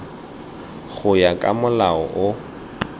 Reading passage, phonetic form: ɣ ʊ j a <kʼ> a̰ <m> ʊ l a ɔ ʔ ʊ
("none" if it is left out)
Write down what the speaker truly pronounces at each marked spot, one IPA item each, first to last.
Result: kʼ, m

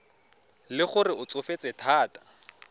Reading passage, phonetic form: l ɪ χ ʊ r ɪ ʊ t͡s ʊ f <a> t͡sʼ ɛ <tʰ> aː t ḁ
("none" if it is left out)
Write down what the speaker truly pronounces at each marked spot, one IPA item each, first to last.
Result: e, tʰ

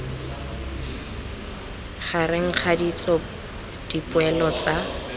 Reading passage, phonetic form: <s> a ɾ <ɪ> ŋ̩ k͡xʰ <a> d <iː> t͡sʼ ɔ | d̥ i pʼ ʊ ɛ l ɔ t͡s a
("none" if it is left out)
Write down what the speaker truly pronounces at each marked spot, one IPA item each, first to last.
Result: χ, ɪ, a, i

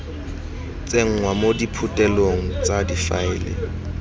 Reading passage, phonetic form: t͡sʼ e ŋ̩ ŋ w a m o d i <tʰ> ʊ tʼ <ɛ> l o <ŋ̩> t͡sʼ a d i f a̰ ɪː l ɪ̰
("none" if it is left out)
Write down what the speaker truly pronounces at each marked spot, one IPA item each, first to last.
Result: pʰ, ɛ, ŋ̩

